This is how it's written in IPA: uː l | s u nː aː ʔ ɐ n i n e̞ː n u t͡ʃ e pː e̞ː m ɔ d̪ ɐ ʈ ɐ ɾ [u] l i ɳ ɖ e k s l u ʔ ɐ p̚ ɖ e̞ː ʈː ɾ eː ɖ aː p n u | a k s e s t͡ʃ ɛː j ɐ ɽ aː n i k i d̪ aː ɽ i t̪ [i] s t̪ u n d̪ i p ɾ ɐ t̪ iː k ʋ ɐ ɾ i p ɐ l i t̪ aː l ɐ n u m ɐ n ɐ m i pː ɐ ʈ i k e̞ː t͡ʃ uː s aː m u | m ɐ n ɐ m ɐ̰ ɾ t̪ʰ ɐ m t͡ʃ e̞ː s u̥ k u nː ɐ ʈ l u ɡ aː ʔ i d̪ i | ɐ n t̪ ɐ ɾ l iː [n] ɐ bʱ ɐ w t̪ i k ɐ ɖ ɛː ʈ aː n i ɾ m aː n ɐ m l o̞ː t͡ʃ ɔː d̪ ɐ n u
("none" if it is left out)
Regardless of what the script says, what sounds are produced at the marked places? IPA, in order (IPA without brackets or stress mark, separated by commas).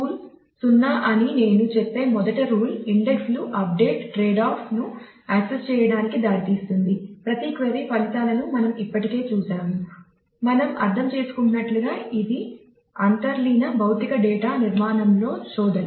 uː, iː, n